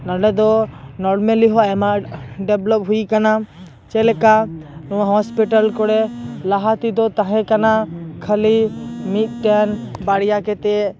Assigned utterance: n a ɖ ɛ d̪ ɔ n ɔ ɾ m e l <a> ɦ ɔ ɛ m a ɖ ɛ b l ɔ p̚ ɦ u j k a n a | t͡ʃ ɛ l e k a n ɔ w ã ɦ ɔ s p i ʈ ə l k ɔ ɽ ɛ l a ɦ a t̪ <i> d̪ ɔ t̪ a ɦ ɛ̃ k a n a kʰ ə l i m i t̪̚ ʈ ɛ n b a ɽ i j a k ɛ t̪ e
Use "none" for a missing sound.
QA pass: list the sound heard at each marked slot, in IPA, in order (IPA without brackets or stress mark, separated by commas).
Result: i, i